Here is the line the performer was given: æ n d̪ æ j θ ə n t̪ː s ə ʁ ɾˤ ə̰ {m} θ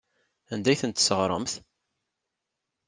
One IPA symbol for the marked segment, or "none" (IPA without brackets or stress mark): m